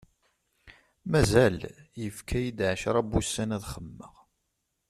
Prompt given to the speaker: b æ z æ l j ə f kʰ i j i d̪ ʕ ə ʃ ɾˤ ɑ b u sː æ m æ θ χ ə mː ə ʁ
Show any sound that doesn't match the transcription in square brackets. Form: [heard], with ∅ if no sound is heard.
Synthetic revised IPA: [m] æ z æ l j ə f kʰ [æ] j i d̪ ʕ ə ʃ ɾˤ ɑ b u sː æ [n] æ [ð] χ ə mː ə ʁ